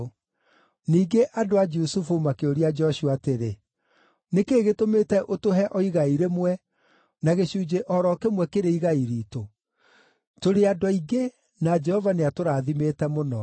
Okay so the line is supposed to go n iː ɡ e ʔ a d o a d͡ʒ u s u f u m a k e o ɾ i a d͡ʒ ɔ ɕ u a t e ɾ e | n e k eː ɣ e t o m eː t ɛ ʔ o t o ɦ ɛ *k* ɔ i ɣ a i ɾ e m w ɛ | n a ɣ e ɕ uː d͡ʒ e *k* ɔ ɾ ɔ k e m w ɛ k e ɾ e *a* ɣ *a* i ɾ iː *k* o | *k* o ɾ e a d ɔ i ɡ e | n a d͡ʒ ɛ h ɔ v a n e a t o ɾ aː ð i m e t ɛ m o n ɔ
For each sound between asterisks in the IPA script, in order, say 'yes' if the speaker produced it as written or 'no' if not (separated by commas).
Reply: no, no, no, yes, no, no